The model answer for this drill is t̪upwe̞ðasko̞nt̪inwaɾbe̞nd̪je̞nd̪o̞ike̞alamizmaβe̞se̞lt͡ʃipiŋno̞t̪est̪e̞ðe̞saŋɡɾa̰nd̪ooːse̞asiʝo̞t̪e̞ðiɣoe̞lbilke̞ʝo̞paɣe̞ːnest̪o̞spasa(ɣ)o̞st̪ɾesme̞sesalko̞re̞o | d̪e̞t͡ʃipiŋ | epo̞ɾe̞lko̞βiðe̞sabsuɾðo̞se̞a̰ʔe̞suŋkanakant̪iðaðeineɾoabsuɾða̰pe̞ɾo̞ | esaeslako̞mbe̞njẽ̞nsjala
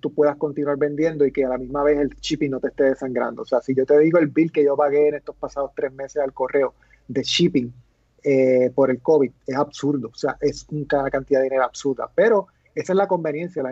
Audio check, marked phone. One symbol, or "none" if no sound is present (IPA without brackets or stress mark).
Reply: ð